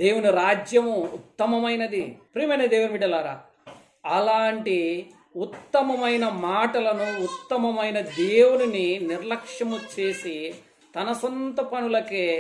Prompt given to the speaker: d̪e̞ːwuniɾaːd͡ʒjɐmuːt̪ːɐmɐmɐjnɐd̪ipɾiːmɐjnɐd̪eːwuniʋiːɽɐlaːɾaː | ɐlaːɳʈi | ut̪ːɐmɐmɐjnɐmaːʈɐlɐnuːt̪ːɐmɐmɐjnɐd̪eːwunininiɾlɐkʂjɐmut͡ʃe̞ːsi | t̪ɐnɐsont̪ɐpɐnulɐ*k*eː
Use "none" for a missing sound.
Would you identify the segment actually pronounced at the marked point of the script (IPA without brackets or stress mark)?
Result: k